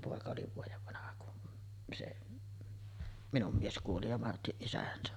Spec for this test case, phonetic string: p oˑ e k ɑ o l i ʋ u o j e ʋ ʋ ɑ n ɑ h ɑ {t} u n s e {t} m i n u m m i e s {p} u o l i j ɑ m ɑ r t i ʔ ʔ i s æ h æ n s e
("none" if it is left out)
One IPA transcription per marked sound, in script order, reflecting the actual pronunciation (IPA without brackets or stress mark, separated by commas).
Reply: k, ʔ, k